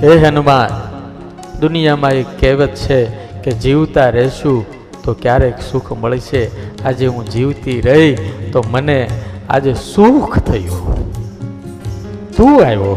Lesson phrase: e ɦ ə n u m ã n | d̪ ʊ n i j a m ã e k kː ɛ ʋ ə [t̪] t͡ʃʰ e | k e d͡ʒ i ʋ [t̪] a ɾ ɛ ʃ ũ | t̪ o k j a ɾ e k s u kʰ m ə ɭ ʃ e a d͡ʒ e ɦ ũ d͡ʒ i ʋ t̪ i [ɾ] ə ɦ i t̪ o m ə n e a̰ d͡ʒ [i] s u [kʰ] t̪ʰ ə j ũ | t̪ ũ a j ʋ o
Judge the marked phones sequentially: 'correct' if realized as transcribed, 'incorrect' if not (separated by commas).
correct, correct, correct, incorrect, correct